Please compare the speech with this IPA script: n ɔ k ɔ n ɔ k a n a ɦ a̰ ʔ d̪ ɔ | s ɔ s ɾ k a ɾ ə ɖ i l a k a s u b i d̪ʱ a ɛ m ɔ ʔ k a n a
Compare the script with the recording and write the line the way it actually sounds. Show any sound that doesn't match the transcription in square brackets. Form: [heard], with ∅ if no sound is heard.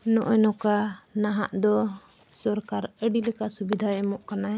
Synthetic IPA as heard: n ɔ [ʔ] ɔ n ɔ k a n a ɦ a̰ ʔ d̪ ɔ | s ɔ [∅] ɾ k a ɾ ə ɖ i l [ɛ] k a s u b i d̪ʱ a ɛ m ɔ ʔ k a n a